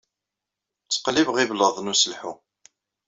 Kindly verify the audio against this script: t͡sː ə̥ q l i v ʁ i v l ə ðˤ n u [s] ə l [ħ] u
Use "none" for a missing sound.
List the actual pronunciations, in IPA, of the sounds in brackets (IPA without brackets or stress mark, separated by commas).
s, ħ